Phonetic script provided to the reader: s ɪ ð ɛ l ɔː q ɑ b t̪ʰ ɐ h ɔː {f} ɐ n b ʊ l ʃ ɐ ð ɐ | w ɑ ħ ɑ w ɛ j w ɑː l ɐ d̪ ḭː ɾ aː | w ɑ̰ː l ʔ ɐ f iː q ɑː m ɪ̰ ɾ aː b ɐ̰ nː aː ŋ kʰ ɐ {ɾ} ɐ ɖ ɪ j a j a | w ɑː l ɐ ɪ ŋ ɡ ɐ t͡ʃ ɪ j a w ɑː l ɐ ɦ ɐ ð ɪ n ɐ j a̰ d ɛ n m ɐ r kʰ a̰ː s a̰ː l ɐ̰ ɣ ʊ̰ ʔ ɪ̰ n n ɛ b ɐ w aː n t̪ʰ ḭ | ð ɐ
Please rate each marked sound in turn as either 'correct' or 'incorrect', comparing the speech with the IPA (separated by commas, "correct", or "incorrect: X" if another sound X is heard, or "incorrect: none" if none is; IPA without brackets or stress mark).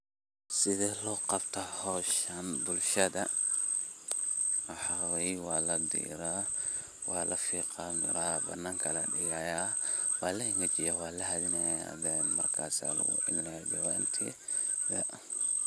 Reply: incorrect: ʃ, incorrect: l